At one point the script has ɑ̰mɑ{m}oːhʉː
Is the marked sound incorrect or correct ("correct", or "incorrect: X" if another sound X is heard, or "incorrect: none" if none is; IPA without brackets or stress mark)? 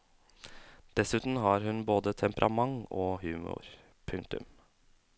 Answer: incorrect: ŋ